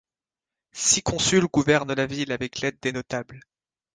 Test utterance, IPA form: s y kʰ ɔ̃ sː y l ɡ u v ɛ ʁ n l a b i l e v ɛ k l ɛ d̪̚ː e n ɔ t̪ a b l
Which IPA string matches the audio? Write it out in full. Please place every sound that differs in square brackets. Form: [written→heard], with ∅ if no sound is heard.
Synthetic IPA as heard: s [y→i] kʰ ɔ̃ [sː→s] y l ɡ u v ɛ ʁ n l a [b→v] i l [e→a] v ɛ k l ɛ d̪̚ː e n ɔ t̪ a b l